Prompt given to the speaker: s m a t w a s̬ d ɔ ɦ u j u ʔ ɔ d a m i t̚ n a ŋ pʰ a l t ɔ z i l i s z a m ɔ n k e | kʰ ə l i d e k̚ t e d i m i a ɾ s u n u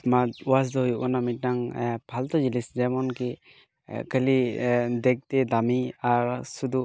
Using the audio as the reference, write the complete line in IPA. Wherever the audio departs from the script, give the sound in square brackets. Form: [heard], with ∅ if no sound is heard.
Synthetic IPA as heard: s m a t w a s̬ d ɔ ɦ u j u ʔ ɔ [n] a m i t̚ n a ŋ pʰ a l t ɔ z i l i s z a m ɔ n k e | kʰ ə l i d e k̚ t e d [a] m i a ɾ s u [d] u